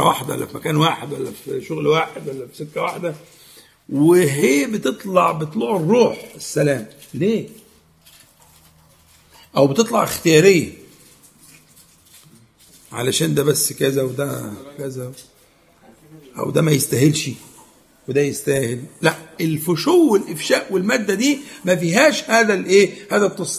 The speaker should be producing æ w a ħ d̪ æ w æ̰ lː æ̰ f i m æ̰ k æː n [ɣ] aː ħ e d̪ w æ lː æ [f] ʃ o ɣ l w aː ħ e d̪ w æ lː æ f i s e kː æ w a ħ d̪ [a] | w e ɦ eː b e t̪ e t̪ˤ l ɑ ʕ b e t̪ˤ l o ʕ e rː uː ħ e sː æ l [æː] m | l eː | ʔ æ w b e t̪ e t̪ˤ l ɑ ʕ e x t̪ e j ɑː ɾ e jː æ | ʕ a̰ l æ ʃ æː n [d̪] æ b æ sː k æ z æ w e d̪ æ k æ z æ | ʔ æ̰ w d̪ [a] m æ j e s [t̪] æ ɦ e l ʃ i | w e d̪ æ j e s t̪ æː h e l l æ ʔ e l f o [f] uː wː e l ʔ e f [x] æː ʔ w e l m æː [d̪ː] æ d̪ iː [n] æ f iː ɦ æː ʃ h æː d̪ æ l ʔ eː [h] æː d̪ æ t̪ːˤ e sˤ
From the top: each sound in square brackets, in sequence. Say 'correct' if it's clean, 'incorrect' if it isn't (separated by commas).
incorrect, correct, incorrect, correct, correct, incorrect, correct, incorrect, incorrect, correct, incorrect, correct